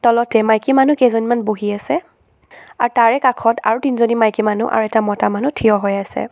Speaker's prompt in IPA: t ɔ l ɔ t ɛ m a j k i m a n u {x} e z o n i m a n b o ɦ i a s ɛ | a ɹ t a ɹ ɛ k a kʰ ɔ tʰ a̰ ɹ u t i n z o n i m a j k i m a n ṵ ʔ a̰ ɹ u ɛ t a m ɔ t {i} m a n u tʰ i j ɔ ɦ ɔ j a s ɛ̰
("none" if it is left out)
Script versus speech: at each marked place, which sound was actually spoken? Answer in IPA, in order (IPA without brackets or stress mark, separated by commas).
k, a